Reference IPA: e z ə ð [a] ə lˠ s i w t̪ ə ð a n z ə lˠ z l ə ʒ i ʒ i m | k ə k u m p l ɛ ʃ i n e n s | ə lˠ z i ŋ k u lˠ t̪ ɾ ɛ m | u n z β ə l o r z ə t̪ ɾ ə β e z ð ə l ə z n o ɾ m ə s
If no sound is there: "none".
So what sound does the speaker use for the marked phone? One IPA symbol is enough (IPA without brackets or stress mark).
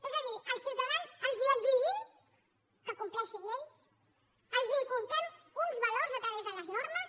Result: i